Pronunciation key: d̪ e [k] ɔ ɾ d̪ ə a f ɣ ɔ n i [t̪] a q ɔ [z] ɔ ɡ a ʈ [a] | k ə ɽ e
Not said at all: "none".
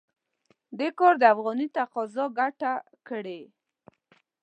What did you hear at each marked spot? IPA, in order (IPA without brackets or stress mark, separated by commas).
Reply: k, t̪, z, a